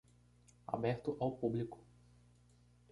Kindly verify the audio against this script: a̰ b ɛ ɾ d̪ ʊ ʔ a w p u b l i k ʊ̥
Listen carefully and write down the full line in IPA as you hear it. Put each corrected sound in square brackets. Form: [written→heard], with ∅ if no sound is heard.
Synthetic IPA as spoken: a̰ b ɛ ɾ [d̪→t̪] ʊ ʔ a w p u b l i k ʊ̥